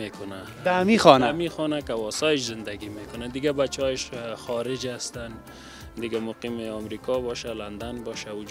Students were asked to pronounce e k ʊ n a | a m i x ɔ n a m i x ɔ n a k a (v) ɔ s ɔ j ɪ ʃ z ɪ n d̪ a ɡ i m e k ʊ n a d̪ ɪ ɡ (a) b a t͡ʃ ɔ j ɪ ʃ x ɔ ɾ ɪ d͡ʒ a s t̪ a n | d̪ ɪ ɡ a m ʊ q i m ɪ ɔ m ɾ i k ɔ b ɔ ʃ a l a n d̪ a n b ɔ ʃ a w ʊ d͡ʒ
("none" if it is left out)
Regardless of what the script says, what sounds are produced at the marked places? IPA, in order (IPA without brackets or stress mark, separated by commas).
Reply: w, a